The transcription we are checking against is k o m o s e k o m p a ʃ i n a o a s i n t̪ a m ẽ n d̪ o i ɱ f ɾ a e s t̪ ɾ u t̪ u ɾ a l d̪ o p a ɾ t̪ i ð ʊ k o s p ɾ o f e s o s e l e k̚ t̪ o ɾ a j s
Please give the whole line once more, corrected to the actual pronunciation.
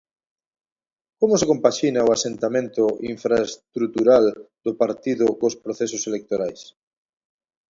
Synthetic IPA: k o m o s e k o m p a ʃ i n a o a s e n t̪ a m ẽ n t̪ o i ɱ f ɾ a e s t̪ ɾ u t̪ u ɾ a l d̪ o p a ɾ t̪ i ð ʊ k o s p ɾ o θ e s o s e l e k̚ t̪ o ɾ a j s